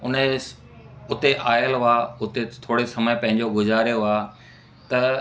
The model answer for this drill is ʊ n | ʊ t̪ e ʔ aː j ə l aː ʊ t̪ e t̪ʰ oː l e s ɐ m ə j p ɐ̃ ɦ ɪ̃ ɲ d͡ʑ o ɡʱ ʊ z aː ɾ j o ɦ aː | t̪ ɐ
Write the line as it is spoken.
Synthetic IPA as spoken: ʊ n | ʊ t̪ e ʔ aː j ə l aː ʊ t̪ e t̪ʰ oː ɽ e s ɐ m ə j p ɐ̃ ɦ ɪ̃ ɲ d͡ʑ o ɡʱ ʊ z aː ɾ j o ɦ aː | t̪ ɐ